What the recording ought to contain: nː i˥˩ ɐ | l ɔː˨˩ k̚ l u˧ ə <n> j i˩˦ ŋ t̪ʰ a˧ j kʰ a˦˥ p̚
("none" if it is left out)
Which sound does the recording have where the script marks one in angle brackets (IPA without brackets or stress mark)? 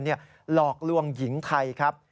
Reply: ŋ